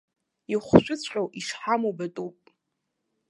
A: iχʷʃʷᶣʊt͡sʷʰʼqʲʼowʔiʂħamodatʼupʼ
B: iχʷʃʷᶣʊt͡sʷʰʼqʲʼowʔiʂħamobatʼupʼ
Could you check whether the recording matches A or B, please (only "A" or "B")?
B